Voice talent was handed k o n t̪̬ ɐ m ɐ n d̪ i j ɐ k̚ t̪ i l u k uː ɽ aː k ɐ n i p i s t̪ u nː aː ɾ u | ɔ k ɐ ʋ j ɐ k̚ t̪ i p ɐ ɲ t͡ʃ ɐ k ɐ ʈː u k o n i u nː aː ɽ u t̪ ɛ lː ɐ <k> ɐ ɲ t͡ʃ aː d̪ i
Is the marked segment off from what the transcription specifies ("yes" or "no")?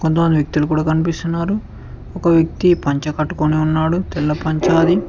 yes